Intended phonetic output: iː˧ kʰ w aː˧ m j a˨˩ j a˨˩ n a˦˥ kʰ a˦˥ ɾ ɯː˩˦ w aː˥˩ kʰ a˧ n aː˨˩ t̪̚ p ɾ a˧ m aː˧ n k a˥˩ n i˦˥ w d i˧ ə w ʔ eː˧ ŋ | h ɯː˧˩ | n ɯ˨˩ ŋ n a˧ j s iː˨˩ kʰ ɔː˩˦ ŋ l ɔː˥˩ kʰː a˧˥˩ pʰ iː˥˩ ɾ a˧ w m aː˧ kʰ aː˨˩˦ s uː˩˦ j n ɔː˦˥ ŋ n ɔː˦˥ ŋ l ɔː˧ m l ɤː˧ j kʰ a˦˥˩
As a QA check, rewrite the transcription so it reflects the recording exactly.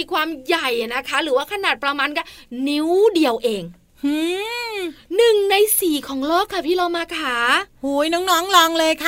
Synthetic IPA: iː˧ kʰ w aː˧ m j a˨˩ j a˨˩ n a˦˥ kʰ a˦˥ ɾ ɯː˩˦ w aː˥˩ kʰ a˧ n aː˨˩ t̪̚ p ɾ a˧ m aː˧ n k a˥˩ n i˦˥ w d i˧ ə w ʔ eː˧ ŋ | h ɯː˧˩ | n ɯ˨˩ ŋ n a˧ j s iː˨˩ kʰ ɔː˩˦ ŋ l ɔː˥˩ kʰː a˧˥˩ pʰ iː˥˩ ɾ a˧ w m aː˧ kʰ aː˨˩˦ h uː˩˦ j n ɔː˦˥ ŋ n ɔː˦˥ ŋ l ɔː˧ ŋ l ɤː˧ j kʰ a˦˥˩